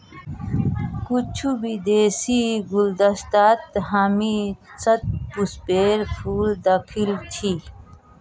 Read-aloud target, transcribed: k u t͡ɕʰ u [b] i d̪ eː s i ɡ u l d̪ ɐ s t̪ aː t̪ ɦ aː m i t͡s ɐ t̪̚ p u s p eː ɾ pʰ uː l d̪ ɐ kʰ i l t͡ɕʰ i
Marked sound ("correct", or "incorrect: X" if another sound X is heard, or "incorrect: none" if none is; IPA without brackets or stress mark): correct